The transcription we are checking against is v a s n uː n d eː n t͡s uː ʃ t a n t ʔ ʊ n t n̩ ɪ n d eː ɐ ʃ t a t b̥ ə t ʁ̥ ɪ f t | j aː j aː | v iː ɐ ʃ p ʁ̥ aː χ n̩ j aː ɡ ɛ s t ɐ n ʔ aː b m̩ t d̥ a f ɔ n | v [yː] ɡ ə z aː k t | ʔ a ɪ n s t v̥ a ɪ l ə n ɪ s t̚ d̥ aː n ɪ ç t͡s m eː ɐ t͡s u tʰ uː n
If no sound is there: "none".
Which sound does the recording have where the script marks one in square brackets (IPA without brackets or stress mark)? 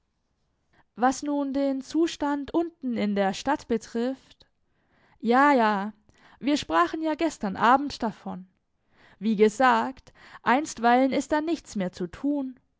iː